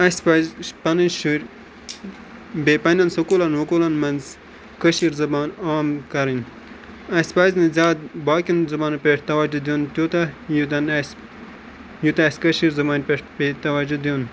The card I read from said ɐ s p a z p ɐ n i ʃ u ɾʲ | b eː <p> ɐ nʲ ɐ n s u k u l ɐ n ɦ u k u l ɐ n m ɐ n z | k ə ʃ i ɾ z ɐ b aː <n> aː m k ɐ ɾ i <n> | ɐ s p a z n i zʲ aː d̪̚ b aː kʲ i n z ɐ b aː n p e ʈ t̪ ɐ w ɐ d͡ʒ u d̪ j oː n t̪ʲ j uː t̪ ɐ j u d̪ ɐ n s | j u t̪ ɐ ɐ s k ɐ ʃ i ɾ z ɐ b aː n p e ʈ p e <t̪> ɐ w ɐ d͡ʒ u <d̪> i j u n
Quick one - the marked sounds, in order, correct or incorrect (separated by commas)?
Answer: correct, correct, correct, correct, correct